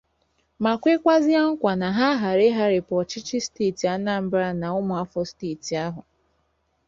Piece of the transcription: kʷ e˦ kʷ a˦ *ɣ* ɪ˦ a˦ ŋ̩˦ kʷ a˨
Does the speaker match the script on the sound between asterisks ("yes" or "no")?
no